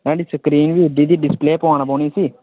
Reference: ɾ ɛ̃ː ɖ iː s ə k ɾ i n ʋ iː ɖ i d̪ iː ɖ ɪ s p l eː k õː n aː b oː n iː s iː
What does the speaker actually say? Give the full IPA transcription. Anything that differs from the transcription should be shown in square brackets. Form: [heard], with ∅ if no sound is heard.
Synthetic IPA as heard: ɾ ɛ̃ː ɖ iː s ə k ɾ [iː] n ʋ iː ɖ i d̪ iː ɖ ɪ s p l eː [p] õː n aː b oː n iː s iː